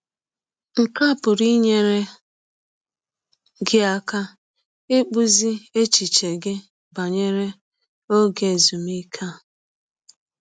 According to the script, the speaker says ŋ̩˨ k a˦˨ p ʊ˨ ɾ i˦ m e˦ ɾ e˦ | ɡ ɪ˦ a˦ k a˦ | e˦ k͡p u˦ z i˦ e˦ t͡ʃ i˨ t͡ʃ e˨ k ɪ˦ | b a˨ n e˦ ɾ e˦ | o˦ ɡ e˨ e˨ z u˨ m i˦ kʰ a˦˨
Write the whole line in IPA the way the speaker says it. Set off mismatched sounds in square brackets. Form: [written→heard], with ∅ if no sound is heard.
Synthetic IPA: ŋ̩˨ k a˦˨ p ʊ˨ ɾ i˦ [m→ɲ] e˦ ɾ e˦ | ɡ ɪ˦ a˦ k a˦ | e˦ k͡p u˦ z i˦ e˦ t͡ʃ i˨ t͡ʃ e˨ [k→ɡ] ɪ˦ | b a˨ [n→ɲ] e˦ ɾ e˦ | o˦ ɡ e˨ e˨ z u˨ m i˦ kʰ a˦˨